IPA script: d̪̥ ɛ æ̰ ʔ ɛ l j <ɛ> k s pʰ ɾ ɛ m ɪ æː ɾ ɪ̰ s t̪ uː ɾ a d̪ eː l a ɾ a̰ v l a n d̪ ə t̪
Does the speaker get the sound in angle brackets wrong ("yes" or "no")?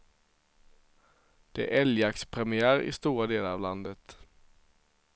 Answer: yes